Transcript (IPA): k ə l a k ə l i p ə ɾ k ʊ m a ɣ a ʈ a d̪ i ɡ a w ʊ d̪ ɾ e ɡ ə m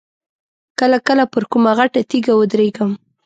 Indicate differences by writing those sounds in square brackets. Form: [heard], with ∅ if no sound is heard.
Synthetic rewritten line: k ə l a k ə l [a] p ə ɾ k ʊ m a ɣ a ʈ a [t̪] i ɡ a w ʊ d̪ ɾ e ɡ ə m